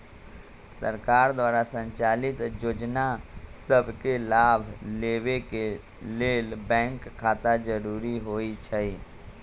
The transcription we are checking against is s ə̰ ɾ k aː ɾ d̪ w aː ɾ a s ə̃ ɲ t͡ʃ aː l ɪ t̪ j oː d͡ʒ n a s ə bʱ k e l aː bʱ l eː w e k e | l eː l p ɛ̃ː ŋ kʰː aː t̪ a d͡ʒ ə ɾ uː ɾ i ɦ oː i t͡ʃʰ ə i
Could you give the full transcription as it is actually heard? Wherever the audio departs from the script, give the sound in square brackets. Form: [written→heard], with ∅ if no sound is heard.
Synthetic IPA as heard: s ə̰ ɾ k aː ɾ d̪ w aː ɾ a s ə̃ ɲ t͡ʃ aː l ɪ t̪ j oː d͡ʒ n a s ə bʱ k e l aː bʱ l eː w e k e | l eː l [p→b] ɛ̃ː ŋ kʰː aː t̪ a d͡ʒ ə ɾ uː ɾ i ɦ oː i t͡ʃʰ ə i